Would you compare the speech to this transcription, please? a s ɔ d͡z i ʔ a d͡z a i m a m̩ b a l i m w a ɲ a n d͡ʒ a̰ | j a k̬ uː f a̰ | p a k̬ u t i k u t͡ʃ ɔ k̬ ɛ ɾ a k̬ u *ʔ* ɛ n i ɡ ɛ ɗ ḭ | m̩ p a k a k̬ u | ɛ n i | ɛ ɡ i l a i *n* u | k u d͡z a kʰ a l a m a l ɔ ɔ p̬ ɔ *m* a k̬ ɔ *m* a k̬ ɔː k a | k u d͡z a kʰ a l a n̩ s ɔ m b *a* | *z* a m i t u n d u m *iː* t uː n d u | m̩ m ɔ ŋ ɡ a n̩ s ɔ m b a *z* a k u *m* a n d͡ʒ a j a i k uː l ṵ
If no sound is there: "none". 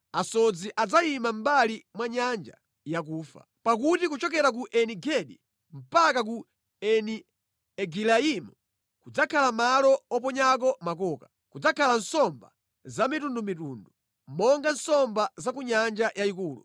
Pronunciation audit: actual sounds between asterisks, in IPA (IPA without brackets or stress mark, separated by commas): ʔ, m, ɲ, m, a, z, i, z, ɲ